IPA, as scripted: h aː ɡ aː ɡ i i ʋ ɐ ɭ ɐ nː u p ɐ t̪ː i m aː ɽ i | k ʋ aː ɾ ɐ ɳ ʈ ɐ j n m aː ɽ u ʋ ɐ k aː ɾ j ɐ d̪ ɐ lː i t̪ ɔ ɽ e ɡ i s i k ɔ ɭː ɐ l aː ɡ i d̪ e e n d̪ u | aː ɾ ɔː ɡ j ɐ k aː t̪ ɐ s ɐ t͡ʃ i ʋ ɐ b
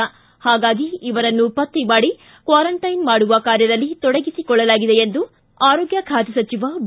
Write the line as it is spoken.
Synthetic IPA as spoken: h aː ɡ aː ɡ i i ʋ ɐ ɾ ɐ nː u p ɐ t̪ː i m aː ɽ i | k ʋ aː ɾ ɐ ɳ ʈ ɐ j n m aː ɽ u ʋ ɐ k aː ɾ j ɐ d̪ ɐ lː i t̪ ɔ ɽ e ɡ i s i k ɔ ɭː ɐ l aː ɡ i d̪ e e n d̪ u | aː ɾ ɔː ɡ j ɐ kʰ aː t̪ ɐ s ɐ t͡ʃ i ʋ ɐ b